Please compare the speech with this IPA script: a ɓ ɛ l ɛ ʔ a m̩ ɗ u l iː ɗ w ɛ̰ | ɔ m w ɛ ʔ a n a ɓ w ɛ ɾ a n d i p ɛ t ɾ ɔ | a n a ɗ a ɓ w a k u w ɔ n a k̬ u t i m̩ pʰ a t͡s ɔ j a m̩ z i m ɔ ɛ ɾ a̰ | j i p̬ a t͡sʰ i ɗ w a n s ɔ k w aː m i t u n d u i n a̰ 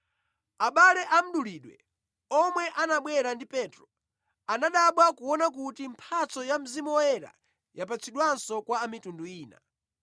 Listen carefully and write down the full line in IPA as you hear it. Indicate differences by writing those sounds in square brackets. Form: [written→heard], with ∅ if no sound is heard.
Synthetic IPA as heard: a ɓ [ɛ→a] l ɛ ʔ a m̩ ɗ u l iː ɗ w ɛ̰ | ɔ m w ɛ ʔ a n a ɓ w ɛ ɾ a n d i p ɛ t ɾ ɔ | a n a ɗ a ɓ w a k u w ɔ n a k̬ u t i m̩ pʰ a t͡s ɔ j a m̩ z i m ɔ ɛ ɾ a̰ | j [i→a] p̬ a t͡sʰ i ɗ w a n s ɔ k w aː m i t u n d u [i→iː] n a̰